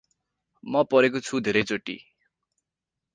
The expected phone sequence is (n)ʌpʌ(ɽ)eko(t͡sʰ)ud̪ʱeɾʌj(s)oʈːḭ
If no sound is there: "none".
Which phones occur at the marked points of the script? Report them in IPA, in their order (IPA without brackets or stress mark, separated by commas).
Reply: m, ɾ, t͡sʰ, t͡s